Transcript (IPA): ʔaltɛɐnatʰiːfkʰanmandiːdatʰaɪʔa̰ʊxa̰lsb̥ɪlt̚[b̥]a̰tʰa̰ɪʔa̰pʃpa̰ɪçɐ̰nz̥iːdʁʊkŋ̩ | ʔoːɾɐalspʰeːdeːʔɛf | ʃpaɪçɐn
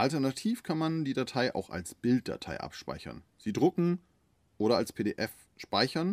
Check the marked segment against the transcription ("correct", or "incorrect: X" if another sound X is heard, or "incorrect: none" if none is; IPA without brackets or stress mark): incorrect: d̥